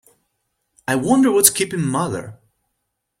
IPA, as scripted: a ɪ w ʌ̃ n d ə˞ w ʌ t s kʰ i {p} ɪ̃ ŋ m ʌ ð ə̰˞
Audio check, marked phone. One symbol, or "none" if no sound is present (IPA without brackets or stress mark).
p